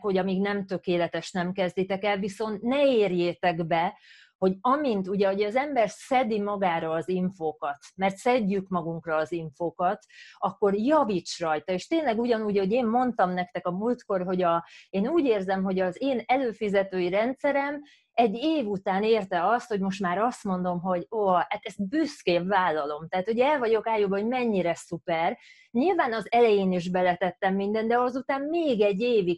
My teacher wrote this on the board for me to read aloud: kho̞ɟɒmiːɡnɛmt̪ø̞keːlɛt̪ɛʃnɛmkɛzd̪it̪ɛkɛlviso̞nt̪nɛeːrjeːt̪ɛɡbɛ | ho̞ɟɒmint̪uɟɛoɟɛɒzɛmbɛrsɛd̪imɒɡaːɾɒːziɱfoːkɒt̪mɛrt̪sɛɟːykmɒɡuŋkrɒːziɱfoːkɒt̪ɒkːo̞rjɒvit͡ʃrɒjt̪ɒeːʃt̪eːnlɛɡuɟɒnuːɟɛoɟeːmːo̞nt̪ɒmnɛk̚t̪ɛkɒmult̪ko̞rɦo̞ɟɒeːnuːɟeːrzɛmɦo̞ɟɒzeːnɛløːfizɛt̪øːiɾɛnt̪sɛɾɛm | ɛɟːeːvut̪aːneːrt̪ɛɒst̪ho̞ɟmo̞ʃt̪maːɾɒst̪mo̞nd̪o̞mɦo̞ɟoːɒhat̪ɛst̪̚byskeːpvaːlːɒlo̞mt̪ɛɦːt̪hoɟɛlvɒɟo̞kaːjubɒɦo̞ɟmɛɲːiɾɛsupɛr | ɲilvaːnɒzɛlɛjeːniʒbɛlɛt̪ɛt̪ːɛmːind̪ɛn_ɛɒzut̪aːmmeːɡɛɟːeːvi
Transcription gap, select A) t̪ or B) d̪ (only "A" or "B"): B